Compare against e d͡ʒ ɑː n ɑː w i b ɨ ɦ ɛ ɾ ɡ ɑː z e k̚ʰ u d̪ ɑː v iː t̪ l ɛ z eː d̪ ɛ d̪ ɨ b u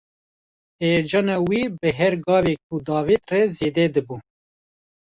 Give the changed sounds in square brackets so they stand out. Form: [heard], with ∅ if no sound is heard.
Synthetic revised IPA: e d͡ʒ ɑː n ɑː w i b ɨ ɦ ɛ ɾ ɡ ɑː [v] e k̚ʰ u d̪ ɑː v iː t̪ [r] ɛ z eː d̪ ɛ d̪ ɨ b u